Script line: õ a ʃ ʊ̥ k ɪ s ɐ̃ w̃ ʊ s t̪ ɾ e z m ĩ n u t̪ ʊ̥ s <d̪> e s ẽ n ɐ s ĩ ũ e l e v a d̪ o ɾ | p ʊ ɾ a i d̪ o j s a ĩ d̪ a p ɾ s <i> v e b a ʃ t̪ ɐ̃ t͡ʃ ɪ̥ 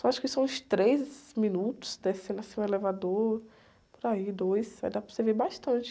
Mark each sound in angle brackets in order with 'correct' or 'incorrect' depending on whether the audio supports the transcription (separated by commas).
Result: correct, incorrect